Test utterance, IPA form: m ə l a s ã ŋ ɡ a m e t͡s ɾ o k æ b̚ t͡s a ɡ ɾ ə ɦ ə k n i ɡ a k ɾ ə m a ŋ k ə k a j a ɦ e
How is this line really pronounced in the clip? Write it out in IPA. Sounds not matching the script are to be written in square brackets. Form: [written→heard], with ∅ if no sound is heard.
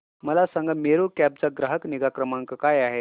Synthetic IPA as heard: m ə l a s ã ŋ ɡ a m e [t͡s→∅] ɾ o k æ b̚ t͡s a ɡ ɾ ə ɦ ə k n i ɡ a k ɾ ə m a ŋ k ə k a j a ɦ e